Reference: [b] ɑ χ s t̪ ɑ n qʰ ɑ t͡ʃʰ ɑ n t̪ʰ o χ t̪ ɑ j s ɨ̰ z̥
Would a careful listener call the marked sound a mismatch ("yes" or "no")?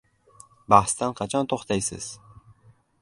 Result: no